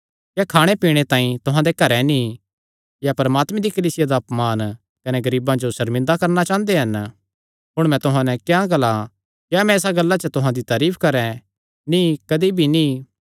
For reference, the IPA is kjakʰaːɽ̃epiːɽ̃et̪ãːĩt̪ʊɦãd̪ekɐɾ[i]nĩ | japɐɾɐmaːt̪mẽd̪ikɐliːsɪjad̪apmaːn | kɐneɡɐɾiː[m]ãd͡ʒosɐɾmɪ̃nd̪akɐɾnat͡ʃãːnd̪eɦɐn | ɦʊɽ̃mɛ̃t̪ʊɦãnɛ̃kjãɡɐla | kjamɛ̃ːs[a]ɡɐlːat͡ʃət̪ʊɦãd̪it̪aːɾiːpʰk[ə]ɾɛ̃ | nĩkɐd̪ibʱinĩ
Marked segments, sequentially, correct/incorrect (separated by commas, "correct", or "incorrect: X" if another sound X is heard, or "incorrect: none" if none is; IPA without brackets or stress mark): incorrect: ɛ, incorrect: b, correct, incorrect: ɐ